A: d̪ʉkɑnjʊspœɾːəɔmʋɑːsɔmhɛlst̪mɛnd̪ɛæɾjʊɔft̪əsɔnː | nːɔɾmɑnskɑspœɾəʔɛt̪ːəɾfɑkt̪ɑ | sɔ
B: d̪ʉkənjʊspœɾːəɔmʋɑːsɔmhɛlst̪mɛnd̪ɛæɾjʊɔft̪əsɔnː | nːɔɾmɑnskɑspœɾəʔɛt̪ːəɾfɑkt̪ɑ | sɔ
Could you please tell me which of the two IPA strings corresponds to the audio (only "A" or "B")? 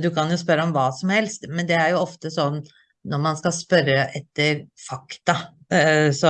A